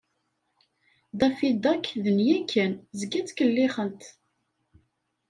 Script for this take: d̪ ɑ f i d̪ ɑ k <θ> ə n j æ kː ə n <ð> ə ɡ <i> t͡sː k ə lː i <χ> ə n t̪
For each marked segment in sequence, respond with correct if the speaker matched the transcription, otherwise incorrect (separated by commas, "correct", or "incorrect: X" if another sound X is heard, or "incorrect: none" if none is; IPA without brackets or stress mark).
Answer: incorrect: ð, incorrect: z, incorrect: æ, correct